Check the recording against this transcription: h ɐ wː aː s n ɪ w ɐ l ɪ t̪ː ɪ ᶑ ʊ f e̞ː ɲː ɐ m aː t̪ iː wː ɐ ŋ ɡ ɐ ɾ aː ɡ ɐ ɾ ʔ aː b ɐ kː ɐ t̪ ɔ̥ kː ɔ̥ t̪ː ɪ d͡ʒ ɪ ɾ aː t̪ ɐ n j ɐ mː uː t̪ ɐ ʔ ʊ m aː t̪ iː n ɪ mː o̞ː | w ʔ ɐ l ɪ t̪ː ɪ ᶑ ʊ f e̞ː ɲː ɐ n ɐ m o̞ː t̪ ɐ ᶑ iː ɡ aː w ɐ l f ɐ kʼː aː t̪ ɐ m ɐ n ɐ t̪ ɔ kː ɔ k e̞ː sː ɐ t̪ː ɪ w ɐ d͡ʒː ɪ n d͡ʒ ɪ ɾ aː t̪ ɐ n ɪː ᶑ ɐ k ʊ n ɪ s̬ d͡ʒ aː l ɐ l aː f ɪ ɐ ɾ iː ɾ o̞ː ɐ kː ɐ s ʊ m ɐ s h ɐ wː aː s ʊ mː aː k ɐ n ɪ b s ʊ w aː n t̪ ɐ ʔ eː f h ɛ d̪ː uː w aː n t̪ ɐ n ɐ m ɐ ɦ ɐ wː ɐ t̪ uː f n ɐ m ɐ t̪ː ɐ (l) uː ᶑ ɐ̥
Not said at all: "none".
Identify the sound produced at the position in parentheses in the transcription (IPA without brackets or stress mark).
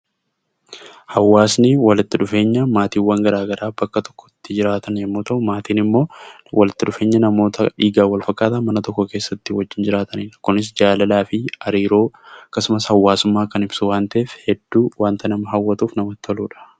l